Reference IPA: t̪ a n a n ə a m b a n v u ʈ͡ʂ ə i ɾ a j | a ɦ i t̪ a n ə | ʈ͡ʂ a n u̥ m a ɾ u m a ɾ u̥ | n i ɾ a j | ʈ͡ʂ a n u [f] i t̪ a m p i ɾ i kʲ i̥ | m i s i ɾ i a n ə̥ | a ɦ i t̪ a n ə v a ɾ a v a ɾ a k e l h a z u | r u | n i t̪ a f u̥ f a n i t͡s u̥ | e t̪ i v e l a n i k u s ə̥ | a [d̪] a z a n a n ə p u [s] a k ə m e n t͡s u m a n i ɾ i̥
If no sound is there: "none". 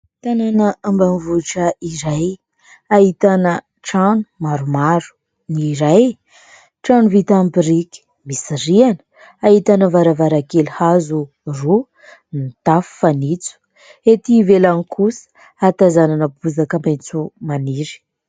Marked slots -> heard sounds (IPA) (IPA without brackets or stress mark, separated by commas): v, t̪, z